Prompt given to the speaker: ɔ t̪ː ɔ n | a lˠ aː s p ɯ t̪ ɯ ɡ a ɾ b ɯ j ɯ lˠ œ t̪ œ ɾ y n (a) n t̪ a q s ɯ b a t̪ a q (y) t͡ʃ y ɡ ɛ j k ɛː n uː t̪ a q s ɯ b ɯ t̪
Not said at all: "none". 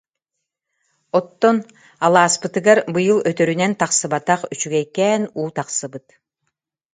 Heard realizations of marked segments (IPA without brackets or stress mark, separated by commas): ɛ, y